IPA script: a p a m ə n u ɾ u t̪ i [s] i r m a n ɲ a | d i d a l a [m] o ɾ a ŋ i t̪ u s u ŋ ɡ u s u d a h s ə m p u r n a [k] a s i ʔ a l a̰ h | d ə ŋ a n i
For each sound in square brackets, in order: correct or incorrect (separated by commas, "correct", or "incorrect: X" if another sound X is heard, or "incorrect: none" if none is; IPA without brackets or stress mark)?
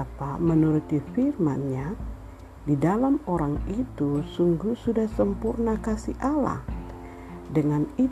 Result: incorrect: f, correct, correct